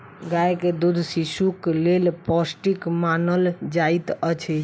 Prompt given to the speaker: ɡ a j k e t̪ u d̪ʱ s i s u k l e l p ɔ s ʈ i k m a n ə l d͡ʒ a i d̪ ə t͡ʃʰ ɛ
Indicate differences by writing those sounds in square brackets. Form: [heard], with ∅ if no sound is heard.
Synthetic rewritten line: ɡ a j k e [d̪] u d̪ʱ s i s u k l e l p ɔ s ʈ i k m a n ə l d͡ʒ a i [t̪] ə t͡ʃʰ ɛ